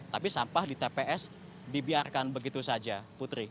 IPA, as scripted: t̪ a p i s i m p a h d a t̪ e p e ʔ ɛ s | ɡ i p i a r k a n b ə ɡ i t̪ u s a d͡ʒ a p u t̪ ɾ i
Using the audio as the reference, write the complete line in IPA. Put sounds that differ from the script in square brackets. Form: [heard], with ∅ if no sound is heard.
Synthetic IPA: t̪ a p i s [a] m p a h d [i] t̪ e p e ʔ ɛ s | [d] i [b] i a r k a n b ə ɡ i t̪ u s a d͡ʒ a p u t̪ ɾ i